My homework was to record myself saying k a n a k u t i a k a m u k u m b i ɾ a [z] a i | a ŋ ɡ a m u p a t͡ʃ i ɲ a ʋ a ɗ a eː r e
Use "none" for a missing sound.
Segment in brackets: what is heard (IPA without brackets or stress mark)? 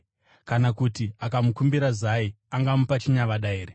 z